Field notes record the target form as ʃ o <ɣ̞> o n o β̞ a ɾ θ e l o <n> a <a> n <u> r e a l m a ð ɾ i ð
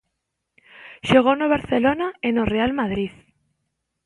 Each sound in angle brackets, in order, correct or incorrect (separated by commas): correct, correct, incorrect, incorrect